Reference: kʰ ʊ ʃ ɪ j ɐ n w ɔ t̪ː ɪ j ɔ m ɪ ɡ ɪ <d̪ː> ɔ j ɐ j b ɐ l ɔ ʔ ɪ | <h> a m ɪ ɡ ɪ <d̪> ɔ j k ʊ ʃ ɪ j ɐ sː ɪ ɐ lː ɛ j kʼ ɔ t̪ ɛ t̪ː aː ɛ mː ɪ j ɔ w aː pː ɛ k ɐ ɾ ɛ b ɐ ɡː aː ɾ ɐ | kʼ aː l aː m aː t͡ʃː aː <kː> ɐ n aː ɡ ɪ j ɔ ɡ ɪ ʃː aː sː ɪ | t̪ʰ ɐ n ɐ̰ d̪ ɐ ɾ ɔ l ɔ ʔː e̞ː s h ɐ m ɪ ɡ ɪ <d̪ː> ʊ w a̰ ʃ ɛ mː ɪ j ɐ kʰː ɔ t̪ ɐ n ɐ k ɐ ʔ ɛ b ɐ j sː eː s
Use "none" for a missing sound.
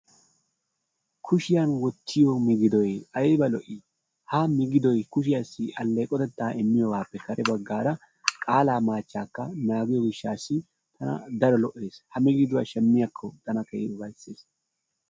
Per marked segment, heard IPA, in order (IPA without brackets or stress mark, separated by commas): d̪, h, d̪, kː, d̪